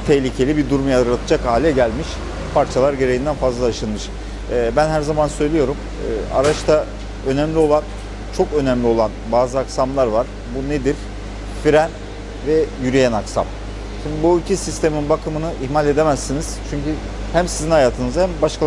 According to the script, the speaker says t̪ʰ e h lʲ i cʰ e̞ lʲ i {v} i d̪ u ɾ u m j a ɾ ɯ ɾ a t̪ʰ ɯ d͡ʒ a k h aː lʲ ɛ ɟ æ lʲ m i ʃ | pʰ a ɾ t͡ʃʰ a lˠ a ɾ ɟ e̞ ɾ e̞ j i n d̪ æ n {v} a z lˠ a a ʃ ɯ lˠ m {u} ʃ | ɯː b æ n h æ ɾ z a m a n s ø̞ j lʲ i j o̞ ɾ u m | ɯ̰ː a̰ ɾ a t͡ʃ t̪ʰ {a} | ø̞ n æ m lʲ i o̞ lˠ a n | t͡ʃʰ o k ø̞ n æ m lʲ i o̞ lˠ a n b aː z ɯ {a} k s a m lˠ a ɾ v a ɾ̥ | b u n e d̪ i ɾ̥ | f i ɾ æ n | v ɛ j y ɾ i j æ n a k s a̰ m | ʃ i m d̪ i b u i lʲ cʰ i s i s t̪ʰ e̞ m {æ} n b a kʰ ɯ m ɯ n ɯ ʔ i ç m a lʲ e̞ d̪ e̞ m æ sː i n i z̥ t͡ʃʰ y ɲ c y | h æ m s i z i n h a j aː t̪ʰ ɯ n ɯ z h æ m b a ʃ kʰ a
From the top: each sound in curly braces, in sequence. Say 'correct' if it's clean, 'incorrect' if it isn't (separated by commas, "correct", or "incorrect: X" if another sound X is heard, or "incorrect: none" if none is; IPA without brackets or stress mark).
incorrect: b, incorrect: f, incorrect: ɯ, correct, correct, incorrect: i